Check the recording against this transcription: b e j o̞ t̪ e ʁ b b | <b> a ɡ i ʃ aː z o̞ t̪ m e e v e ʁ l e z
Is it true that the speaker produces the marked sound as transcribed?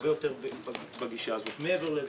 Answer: yes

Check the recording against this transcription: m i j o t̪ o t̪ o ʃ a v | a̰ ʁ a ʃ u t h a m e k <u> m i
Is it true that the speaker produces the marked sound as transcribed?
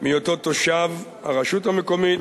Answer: no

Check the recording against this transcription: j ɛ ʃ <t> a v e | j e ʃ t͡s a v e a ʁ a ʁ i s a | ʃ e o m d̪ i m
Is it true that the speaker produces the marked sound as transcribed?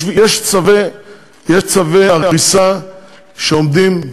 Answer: no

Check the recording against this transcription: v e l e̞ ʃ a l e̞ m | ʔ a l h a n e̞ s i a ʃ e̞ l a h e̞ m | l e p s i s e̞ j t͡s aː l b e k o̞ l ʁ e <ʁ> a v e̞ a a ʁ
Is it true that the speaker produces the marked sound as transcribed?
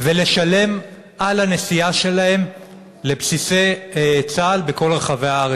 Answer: no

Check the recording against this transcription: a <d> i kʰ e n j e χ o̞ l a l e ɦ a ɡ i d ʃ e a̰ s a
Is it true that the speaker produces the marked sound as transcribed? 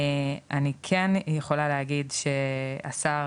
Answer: no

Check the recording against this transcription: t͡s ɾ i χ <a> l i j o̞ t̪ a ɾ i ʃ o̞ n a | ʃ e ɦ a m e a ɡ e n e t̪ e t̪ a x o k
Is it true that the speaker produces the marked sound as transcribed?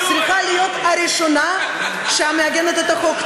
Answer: yes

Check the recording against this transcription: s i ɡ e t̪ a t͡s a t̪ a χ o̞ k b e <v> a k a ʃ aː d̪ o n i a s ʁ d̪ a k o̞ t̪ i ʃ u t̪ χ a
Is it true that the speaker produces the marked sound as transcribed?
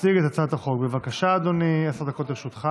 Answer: yes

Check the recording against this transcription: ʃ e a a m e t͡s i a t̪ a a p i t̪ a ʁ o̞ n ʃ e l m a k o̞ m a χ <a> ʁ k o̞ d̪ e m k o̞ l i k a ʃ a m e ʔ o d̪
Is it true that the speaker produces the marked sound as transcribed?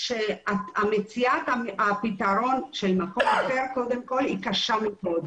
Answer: no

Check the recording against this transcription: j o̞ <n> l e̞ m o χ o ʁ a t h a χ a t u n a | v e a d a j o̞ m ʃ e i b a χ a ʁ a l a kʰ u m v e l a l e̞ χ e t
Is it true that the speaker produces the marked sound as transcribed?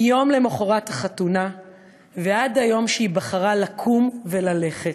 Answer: no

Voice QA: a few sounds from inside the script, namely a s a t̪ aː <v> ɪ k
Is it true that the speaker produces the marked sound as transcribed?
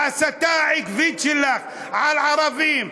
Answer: no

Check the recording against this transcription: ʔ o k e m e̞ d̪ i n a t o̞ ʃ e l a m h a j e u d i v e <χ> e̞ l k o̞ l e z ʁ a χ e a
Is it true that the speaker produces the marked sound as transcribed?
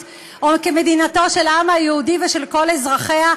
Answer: no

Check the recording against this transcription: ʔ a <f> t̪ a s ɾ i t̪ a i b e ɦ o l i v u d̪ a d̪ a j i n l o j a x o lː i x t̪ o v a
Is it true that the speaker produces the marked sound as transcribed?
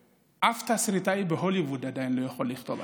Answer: yes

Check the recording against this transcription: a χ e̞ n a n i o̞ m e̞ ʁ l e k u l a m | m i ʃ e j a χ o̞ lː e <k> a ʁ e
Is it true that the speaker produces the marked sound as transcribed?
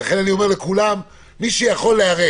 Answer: no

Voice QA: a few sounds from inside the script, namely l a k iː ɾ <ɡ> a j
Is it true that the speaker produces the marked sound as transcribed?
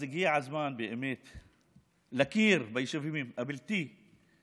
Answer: no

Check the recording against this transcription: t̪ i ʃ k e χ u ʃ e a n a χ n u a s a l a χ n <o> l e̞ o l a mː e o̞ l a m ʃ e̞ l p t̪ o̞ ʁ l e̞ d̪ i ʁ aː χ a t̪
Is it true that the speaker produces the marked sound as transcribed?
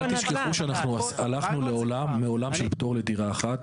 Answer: no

